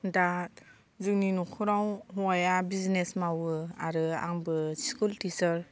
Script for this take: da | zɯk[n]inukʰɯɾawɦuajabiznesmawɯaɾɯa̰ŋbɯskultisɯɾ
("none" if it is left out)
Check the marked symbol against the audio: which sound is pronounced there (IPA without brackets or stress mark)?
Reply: n